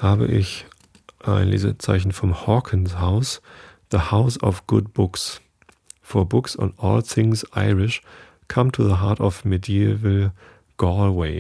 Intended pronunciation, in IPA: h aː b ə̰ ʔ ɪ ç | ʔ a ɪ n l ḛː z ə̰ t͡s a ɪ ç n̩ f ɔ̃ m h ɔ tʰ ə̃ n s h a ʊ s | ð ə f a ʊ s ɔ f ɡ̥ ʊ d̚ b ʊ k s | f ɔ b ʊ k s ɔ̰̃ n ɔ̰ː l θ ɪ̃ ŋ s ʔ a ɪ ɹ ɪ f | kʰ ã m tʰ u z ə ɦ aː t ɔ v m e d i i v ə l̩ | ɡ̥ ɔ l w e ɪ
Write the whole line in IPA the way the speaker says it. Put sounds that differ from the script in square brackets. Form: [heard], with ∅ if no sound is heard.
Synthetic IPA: h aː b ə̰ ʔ ɪ ç | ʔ a ɪ n l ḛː z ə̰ t͡s a ɪ ç n̩ f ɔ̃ m h ɔ [kʰ] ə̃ n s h a ʊ s | ð ə [h] a ʊ s ɔ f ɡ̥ ʊ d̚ b ʊ k s | f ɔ b ʊ k s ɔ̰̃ n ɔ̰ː l θ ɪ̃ ŋ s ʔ a ɪ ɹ ɪ [ʃ] | kʰ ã m tʰ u [ð] ə ɦ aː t ɔ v m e d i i v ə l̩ | ɡ̥ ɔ l w e ɪ